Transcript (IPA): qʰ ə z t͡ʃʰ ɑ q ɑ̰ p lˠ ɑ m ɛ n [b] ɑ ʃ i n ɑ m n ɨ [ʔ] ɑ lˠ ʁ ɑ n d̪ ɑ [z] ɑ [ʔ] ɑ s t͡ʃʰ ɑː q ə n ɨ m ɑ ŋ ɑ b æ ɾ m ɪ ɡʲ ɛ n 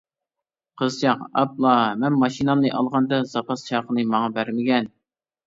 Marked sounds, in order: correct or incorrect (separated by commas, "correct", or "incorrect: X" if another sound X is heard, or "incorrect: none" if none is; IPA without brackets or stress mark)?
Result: incorrect: m, correct, correct, incorrect: p